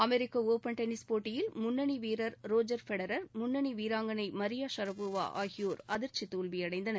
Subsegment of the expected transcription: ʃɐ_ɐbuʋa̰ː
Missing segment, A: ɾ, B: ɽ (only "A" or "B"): A